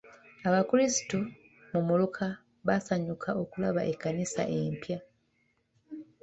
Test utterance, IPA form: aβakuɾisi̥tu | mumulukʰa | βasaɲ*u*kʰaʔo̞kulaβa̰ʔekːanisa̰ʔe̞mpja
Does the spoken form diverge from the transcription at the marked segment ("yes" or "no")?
no